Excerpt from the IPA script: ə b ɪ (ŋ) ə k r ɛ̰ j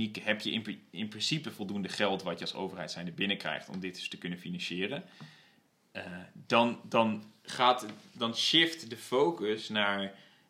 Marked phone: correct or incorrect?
incorrect